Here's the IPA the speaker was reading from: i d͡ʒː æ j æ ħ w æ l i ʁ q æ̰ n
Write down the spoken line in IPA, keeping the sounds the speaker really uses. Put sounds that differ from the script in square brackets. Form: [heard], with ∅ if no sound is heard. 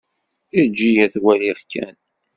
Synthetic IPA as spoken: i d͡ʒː [i] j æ [θ] w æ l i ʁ [k] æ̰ n